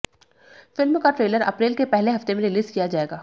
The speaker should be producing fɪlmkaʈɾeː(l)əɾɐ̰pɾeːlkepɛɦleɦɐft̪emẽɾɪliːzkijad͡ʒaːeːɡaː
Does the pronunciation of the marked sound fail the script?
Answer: no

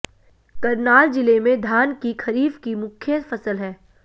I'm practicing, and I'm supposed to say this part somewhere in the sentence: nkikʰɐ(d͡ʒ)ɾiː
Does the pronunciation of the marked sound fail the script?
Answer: yes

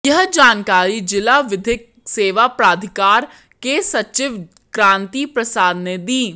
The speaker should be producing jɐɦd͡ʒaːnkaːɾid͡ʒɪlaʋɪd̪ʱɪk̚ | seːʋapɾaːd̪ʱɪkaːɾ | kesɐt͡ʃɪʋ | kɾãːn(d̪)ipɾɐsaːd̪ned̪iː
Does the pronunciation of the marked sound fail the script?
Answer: yes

